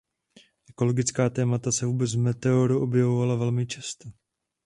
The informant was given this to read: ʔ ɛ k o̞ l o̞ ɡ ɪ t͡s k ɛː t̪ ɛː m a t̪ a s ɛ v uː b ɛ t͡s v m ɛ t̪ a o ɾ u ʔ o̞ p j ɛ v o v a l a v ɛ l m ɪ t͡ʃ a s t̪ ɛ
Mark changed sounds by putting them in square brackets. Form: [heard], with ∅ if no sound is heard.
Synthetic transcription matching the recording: ʔ ɛ k o̞ l o̞ ɡ ɪ t͡s k [aː] t̪ ɛː m a t̪ a s ɛ v uː b ɛ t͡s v m ɛ t̪ [ɛ] o ɾ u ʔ o̞ [b] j ɛ v o v a l a v ɛ l m ɪ t͡ʃ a s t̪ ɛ